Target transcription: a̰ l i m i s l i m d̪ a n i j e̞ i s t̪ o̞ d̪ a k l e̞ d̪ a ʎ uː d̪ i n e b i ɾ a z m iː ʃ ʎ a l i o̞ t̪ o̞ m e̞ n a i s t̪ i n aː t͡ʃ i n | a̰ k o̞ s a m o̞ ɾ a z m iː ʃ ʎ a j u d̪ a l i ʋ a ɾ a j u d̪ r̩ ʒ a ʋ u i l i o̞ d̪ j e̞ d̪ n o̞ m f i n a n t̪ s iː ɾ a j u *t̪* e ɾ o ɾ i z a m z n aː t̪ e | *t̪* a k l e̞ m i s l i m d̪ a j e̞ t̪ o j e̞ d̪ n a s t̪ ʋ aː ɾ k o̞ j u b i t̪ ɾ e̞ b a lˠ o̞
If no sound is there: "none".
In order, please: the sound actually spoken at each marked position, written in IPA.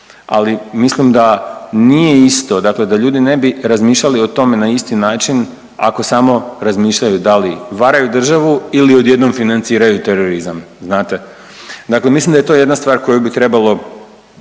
t̪, d̪

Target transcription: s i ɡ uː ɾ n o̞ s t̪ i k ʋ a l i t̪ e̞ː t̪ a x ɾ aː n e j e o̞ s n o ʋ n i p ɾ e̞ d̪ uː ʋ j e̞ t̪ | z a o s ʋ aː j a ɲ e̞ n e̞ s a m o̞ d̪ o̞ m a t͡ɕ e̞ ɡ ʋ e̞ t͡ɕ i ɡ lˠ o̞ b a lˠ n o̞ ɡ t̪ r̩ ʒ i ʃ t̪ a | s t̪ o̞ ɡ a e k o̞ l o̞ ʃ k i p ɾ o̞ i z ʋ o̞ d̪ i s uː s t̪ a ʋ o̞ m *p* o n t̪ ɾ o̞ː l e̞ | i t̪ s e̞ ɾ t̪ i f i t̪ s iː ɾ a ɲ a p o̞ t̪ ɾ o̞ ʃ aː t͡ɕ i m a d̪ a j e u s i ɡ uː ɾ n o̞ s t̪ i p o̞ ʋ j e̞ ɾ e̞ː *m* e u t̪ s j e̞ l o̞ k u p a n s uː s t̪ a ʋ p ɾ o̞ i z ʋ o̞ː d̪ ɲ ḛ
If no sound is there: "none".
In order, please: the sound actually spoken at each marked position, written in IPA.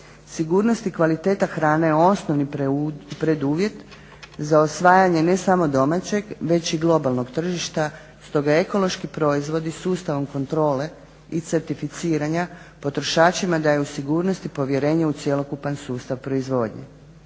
k, ɲ

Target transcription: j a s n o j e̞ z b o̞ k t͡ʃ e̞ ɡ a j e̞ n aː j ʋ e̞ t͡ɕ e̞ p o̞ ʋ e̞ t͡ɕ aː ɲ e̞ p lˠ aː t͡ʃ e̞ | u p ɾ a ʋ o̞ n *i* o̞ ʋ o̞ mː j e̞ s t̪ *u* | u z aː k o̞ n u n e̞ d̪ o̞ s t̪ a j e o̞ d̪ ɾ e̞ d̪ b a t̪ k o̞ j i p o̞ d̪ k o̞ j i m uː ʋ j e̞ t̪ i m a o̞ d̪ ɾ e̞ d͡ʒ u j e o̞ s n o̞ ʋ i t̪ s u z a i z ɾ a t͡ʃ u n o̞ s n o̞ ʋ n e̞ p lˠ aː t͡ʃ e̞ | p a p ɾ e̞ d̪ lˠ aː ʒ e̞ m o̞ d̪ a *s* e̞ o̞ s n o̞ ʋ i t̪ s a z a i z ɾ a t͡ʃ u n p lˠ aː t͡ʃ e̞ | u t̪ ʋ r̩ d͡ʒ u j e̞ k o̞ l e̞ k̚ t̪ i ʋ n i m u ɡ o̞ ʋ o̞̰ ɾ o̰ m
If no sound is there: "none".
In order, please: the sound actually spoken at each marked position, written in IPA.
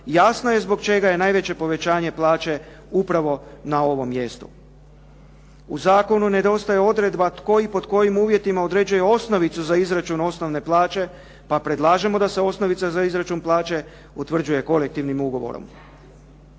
a, u, s

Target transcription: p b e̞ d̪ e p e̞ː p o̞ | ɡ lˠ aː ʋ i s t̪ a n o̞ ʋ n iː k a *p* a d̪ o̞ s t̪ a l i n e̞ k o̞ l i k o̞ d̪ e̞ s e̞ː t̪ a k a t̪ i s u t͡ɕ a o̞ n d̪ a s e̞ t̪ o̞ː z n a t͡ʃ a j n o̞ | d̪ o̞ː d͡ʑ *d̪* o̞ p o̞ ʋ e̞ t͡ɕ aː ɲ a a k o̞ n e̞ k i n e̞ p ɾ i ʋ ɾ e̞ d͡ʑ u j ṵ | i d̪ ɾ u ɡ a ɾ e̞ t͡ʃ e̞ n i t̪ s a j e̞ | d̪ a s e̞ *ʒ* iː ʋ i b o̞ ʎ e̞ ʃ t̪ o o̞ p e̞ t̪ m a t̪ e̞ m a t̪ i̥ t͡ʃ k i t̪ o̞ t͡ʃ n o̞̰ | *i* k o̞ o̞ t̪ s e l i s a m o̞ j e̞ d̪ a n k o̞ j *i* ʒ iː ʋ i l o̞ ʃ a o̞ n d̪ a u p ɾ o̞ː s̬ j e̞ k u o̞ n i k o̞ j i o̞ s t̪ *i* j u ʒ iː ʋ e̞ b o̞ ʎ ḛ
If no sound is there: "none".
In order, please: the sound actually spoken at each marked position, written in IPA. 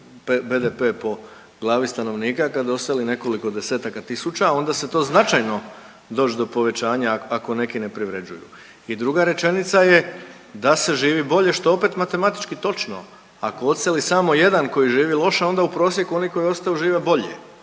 k, d̪, ʒ, a, i, a

